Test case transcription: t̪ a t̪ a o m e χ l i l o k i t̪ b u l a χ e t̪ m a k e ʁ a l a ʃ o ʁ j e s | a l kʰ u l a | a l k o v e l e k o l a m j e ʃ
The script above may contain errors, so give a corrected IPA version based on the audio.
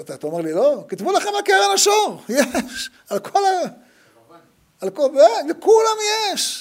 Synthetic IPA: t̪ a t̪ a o m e ʁ l i l o k i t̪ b u l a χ e m a k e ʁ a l a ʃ o ʁ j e ʃ | a l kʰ o l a | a l k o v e l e k u l a m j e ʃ